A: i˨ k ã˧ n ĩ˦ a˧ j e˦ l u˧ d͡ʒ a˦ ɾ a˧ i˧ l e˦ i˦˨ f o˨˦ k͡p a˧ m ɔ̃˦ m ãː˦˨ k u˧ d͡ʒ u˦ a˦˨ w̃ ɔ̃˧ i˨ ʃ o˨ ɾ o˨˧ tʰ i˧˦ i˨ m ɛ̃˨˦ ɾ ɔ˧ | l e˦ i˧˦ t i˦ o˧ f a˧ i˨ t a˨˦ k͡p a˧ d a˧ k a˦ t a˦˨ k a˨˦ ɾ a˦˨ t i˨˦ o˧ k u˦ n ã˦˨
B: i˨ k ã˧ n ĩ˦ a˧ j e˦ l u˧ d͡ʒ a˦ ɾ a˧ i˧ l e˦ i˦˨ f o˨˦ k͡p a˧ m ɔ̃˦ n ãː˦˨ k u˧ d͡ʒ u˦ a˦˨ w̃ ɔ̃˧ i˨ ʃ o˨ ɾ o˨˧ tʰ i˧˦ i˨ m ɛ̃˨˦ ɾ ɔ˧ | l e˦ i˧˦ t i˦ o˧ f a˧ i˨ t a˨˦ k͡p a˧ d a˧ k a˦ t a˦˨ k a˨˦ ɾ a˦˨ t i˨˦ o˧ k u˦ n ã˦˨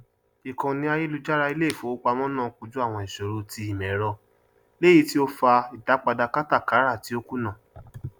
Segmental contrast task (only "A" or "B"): B